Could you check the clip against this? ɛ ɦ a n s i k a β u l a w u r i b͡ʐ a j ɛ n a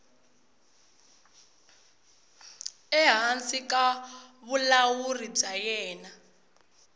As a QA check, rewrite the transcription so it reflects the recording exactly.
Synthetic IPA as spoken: ɛ ɦ a n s i k a β u l a w u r i b͡ʐ a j ɛː n a